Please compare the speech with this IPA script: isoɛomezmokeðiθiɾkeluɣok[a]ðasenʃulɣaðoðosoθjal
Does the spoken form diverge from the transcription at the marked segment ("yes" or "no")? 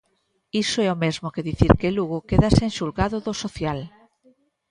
yes